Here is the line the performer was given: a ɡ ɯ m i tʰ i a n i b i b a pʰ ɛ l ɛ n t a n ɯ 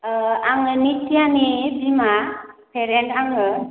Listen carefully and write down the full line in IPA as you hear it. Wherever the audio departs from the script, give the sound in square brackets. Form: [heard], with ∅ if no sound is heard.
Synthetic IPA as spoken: a [ŋ] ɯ [n] i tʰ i a n i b i [m] a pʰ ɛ [ɾ] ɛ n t a [ŋ] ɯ